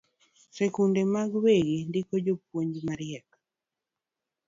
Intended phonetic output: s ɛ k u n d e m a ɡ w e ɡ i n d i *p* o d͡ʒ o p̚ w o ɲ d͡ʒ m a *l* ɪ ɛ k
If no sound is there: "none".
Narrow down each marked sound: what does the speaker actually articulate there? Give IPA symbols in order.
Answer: k, ɾ

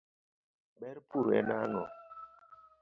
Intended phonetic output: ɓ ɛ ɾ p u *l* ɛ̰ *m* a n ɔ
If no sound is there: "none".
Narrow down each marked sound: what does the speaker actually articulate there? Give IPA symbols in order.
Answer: ɾ, n

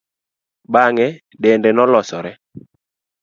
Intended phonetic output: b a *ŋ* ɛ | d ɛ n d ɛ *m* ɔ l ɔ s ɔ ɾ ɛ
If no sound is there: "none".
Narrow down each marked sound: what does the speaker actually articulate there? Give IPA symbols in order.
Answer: ŋ, n

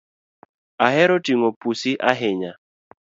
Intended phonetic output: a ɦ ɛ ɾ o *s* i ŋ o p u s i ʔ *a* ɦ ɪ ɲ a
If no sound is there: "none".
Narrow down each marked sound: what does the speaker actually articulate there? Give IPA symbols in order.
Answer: t, a

